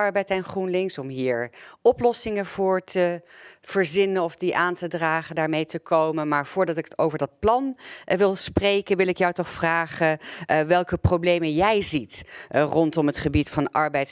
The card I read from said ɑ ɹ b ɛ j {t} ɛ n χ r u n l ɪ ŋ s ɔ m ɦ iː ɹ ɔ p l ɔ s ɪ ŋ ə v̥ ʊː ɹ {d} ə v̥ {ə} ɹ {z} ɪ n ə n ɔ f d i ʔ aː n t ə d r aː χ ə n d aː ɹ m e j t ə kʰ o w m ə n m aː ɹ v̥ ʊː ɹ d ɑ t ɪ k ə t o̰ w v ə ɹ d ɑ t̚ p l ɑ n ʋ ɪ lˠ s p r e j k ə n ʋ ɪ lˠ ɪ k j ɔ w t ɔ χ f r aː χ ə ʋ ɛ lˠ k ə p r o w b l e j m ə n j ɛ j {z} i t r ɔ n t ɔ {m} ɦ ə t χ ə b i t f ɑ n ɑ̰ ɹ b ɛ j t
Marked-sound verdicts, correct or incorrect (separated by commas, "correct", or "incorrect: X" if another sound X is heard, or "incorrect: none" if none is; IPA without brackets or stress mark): correct, incorrect: t, correct, correct, correct, correct